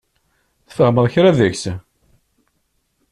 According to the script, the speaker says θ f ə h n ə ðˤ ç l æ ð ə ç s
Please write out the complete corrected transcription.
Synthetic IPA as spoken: θ f ə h m ə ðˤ ç ɾ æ ð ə ç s